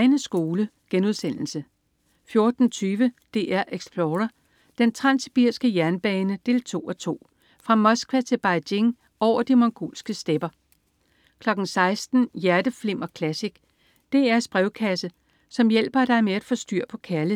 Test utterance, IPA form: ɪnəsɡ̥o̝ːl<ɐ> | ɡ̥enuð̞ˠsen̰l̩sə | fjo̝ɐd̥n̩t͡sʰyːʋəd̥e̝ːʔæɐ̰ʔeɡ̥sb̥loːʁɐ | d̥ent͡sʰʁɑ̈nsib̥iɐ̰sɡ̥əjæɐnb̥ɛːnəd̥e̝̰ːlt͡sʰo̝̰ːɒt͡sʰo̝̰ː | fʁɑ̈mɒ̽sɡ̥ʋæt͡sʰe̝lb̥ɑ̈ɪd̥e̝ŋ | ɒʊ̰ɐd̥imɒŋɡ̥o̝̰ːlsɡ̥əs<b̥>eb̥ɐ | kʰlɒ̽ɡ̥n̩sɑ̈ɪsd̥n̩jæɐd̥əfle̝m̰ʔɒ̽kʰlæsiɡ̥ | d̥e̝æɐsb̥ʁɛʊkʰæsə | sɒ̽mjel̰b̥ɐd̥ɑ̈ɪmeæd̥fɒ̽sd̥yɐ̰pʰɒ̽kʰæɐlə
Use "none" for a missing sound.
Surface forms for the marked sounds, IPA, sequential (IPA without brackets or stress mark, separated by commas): ə, d̥